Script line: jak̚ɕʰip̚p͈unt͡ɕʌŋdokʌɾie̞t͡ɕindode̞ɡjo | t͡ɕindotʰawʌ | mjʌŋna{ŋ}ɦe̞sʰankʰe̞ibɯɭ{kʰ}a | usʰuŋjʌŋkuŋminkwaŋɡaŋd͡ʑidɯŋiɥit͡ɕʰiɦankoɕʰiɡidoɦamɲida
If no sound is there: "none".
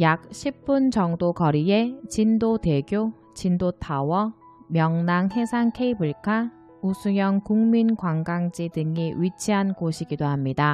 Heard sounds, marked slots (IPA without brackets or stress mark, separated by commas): ŋ, kʰ